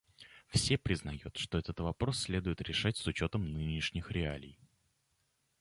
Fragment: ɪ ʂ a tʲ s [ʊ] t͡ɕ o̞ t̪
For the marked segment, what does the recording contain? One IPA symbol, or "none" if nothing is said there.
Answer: ʊ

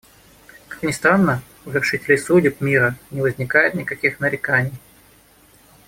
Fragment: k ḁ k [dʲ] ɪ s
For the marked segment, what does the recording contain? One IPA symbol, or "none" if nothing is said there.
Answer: nʲ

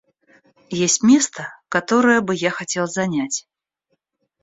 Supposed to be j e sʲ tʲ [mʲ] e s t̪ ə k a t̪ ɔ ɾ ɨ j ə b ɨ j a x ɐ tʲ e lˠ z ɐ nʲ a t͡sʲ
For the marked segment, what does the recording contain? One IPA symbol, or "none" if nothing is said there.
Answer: mʲ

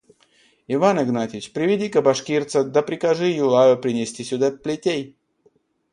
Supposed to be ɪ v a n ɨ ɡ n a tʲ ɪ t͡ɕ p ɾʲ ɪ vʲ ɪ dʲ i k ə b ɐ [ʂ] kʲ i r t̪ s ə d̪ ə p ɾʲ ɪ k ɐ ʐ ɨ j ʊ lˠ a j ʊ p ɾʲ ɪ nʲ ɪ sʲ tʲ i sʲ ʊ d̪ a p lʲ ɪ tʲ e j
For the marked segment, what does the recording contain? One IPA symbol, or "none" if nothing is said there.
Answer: ʂ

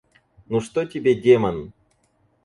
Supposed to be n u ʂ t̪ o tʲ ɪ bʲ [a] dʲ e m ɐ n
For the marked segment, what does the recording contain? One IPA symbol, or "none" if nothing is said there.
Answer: e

